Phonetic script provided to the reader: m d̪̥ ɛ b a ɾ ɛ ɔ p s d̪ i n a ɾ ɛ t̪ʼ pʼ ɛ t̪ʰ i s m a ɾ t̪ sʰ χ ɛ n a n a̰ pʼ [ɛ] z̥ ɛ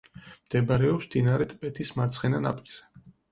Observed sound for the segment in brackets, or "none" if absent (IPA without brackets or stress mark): i